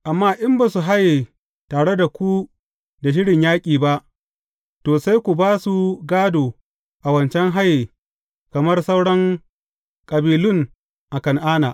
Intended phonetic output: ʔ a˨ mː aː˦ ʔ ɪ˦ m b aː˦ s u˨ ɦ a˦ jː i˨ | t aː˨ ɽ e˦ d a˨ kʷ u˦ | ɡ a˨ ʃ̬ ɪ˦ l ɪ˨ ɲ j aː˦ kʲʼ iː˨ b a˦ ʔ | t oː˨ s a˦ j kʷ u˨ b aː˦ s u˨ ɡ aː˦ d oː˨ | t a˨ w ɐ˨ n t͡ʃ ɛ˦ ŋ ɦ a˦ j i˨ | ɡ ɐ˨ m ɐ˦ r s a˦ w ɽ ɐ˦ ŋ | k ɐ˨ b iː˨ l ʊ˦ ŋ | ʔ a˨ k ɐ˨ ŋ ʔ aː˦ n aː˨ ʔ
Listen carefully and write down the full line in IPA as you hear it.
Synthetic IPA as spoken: ʔ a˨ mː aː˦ ʔ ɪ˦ m b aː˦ s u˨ ɦ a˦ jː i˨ | t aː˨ ɽ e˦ d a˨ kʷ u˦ | d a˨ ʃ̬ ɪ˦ ɽ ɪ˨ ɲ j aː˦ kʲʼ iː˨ b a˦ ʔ | t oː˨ s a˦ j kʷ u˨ b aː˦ s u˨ ɡ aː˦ d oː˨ | ʔ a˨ w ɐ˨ n t͡ʃ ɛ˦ ŋ ɦ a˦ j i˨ | k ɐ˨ m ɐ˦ r s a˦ w ɽ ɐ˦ ŋ | kʼ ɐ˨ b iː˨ l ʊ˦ ŋ | ʔ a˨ k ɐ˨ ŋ ʔ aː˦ n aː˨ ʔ